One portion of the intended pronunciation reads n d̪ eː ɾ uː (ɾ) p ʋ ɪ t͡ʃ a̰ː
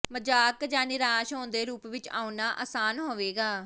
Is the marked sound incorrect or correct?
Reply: incorrect